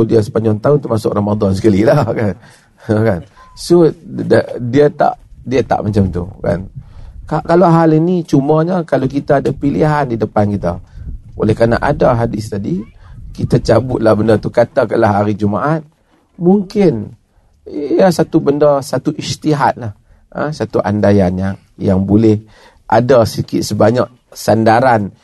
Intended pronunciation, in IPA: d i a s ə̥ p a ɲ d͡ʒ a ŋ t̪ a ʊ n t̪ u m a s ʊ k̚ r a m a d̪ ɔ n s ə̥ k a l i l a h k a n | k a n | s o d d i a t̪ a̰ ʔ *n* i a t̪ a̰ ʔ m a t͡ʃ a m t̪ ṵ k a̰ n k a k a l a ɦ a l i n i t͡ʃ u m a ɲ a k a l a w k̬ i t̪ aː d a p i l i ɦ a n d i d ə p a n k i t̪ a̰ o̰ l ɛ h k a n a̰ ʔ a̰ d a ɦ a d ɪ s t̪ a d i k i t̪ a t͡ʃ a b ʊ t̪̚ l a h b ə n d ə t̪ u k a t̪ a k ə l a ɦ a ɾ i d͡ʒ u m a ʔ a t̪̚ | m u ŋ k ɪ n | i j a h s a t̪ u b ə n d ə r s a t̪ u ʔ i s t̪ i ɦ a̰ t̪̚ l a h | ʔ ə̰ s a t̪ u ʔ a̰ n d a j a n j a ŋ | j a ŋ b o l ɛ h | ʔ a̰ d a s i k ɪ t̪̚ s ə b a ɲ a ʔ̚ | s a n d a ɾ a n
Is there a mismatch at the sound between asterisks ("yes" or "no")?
yes